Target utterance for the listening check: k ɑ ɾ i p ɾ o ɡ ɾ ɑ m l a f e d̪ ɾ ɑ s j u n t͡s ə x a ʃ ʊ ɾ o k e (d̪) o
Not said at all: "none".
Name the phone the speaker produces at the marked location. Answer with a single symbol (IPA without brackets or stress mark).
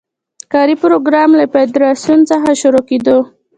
d̪